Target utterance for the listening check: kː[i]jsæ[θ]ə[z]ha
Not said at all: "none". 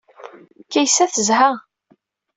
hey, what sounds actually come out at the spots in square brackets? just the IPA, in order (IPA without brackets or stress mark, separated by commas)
æ, θ, z